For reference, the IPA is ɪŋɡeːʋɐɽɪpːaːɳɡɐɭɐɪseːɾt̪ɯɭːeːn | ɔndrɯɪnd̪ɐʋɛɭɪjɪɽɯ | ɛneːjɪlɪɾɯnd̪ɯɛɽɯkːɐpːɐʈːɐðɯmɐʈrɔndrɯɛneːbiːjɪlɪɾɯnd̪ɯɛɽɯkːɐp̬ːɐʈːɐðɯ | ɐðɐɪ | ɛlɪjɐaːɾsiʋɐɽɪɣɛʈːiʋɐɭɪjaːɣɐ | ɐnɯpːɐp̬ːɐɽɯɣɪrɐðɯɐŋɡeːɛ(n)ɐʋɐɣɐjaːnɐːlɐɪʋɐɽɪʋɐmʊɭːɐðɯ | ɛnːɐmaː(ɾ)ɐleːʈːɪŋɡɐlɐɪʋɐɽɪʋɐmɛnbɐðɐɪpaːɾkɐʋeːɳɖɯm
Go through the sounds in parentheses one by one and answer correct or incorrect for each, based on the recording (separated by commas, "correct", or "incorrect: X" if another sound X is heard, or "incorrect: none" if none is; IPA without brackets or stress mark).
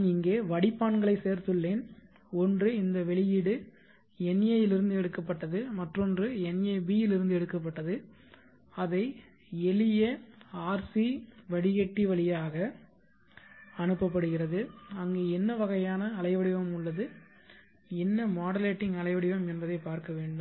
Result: incorrect: nː, incorrect: ɽ